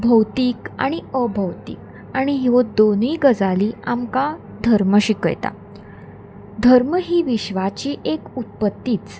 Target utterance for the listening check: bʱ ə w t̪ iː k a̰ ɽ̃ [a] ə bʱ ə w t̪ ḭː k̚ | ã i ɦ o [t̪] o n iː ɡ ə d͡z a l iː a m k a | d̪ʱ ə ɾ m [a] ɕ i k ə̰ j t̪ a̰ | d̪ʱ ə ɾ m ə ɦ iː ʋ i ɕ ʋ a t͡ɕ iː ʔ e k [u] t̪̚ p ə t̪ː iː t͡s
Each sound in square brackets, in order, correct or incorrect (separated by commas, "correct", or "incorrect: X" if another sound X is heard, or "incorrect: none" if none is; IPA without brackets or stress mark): incorrect: i, incorrect: d̪, incorrect: ə, correct